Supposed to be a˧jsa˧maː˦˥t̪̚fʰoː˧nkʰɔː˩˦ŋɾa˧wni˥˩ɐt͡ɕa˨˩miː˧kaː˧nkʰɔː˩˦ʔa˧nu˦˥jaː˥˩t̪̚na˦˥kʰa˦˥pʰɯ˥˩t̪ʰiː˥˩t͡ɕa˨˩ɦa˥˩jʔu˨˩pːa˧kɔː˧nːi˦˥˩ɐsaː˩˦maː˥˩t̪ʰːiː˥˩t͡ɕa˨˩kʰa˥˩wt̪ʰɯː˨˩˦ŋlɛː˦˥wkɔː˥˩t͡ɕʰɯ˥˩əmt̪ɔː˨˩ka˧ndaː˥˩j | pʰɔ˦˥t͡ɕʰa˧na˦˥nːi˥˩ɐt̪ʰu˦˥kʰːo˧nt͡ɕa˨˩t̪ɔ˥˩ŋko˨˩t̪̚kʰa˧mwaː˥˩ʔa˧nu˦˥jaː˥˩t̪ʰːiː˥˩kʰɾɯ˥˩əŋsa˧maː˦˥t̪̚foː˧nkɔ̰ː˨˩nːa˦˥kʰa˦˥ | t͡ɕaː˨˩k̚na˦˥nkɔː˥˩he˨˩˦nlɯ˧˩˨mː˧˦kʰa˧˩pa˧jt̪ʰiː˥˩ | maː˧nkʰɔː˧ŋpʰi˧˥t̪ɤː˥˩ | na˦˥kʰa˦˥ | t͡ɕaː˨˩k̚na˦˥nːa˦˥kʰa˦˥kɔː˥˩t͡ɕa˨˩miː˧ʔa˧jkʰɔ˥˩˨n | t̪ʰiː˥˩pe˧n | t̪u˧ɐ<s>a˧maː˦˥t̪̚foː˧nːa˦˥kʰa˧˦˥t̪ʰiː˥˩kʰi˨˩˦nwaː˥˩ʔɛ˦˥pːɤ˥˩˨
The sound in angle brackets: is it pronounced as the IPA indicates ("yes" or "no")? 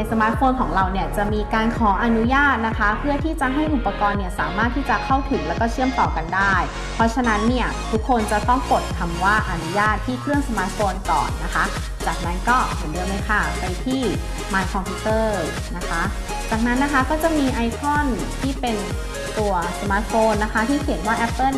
yes